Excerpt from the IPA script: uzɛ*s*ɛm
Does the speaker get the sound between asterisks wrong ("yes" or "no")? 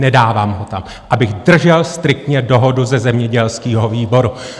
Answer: yes